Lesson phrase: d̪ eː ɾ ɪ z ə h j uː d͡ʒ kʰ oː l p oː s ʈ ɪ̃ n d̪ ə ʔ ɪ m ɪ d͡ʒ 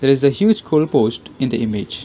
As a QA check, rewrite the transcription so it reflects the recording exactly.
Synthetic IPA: d̪ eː ɾ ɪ z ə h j uː d͡ʒ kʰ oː l p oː s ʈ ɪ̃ n d̪ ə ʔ ɪ m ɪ d͡ʒ